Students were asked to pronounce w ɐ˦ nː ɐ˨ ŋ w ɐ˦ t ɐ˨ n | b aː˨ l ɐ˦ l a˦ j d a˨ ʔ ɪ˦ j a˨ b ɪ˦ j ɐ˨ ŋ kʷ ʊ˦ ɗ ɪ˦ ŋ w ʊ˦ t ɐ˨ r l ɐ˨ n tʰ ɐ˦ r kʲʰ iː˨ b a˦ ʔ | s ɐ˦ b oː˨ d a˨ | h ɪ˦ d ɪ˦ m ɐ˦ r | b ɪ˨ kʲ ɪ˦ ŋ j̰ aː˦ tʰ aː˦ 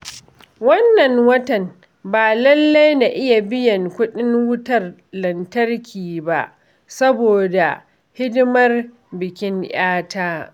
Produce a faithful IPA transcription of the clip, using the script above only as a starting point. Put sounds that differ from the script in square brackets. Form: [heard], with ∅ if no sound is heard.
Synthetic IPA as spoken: w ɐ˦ nː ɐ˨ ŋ w ɐ˦ t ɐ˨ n | b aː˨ l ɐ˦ [lː] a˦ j [n] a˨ ʔ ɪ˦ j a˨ b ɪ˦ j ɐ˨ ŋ kʷ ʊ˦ ɗ ɪ˦ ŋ w ʊ˦ t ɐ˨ r l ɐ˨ n [t] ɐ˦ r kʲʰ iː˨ b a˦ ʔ | s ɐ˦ b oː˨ d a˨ | h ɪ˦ d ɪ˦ m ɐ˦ r | b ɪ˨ kʲ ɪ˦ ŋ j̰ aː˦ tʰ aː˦